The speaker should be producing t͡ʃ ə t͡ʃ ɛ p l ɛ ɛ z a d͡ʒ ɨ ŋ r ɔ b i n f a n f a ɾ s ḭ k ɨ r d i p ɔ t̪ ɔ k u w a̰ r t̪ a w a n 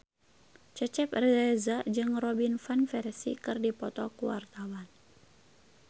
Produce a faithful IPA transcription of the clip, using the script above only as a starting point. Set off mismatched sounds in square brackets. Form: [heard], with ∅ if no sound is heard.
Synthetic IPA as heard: t͡ʃ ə t͡ʃ ɛ p [r] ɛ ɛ z a d͡ʒ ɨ ŋ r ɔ b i n f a n f [ɛ] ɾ s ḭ k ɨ r d i p ɔ t̪ ɔ k u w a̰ r t̪ a w a n